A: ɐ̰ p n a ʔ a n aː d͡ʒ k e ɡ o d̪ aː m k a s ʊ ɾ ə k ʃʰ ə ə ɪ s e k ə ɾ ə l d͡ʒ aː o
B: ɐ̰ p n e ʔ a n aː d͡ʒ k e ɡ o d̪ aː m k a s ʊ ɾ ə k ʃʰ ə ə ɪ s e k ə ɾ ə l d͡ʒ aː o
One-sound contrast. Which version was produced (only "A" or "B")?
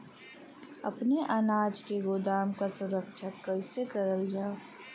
B